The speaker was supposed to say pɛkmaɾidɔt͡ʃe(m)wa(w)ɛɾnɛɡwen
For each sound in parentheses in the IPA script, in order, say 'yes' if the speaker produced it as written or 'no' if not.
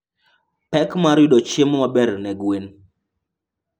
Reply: yes, no

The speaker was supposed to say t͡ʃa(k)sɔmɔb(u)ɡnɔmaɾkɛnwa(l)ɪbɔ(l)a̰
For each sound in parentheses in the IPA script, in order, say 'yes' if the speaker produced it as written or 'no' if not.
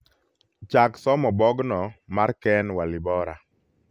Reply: yes, no, yes, no

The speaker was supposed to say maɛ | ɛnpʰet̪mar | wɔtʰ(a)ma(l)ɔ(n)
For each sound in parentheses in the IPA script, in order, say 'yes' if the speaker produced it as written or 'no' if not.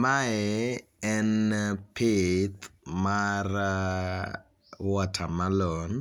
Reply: yes, yes, yes

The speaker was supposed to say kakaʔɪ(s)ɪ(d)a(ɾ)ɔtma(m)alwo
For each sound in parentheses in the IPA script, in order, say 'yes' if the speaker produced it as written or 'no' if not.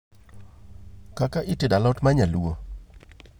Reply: no, yes, no, no

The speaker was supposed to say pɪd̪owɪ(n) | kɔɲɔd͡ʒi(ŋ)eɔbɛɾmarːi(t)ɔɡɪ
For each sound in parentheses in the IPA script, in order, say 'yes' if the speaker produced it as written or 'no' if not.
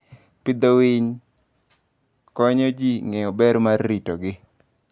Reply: no, yes, yes

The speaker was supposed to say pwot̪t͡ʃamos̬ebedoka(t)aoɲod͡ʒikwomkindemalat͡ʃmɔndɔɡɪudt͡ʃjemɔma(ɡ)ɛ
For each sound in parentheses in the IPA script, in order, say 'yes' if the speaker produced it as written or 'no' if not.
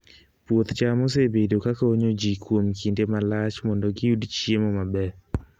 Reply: no, no

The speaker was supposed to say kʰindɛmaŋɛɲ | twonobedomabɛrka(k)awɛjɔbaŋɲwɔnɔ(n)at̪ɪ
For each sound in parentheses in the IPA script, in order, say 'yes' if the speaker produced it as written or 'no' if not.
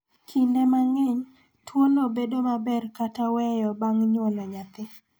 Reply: no, no

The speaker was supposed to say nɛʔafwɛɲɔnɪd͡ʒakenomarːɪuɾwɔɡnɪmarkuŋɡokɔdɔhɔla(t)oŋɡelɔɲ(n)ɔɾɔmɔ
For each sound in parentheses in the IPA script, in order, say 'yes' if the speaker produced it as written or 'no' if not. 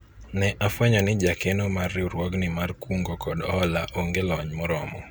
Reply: no, no

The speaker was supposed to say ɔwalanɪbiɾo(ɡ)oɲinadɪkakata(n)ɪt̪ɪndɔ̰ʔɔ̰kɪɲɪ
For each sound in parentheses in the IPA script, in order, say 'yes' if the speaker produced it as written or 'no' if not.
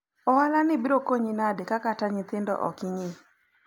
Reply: no, no

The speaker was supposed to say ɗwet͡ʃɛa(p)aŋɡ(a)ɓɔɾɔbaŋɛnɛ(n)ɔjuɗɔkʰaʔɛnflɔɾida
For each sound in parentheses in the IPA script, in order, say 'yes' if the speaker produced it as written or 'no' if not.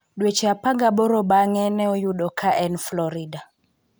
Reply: yes, yes, no

